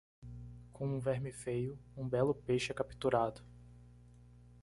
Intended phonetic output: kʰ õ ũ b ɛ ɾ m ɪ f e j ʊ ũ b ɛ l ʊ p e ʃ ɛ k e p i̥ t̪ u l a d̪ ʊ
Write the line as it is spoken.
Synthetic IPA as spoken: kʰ õ ũ v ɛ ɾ m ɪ f e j ʊ ũ b ɛ l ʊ p e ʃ ɛ k a p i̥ t̪ u ɾ a d̪ ʊ